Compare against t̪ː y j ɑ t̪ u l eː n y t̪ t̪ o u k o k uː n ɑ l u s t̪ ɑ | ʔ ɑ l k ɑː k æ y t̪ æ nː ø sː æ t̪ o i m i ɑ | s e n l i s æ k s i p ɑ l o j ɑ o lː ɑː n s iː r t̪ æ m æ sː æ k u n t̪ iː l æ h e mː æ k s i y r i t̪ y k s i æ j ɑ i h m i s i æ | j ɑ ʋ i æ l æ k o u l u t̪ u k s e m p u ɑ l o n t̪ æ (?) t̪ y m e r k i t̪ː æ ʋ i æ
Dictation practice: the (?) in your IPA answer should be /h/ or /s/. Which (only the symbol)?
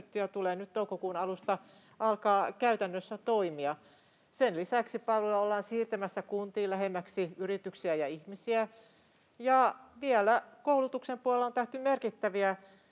h